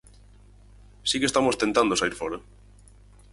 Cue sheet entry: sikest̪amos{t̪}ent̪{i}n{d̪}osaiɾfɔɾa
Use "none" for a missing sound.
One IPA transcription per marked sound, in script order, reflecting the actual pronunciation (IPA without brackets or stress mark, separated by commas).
t̪, a, d̪